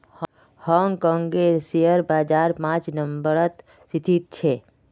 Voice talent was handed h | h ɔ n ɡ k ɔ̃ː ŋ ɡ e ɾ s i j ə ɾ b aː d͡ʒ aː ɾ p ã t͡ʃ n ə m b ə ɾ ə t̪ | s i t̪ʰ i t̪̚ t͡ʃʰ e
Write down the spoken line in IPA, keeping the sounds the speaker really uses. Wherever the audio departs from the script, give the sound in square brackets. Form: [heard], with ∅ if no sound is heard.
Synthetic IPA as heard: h | h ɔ [ŋ] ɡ k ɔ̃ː ŋ ɡ e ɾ s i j ə ɾ b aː d͡ʒ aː ɾ p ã t͡ʃ n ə m b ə ɾ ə t̪ | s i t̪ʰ i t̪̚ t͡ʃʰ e